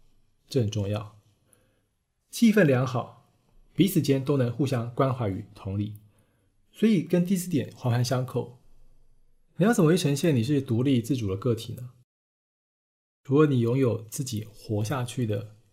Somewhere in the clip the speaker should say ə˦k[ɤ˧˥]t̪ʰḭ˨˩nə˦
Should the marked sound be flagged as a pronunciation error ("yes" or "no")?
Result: yes